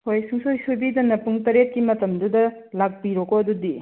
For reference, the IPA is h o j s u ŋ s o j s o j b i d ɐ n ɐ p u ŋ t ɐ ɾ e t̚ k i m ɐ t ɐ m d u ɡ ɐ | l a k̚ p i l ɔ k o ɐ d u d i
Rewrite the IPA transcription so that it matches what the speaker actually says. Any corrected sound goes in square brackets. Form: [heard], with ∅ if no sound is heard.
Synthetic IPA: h o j s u ŋ s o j s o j b i d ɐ n ɐ p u ŋ t ɐ ɾ e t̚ k i m ɐ t ɐ m d u [d] ɐ | l a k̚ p i [ɾ] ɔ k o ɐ d u d i